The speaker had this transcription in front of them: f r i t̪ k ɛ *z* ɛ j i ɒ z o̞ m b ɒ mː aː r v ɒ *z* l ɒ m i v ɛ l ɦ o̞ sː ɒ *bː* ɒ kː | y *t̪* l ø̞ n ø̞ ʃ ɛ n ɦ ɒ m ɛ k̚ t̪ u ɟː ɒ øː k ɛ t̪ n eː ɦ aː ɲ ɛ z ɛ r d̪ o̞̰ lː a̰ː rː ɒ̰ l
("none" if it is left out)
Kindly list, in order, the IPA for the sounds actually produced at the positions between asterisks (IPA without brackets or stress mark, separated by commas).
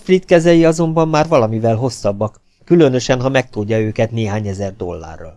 z, none, bː, none